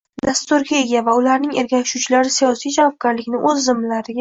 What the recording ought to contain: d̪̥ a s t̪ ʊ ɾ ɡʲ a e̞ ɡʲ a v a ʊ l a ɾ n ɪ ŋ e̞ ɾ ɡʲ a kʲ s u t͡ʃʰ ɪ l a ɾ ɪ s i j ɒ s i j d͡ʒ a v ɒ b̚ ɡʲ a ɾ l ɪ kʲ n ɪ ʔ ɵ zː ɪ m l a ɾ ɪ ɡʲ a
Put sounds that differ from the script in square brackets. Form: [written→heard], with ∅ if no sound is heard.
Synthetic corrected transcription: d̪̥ a s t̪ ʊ ɾ ɡʲ a e̞ ɡʲ a v a ʊ l a ɾ n ɪ ŋ e̞ ɾ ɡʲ a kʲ [s→ʃ] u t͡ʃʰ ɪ l a ɾ ɪ s i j ɒ s i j d͡ʒ a v ɒ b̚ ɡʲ a ɾ l ɪ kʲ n ɪ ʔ ɵ zː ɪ m l a ɾ ɪ ɡʲ a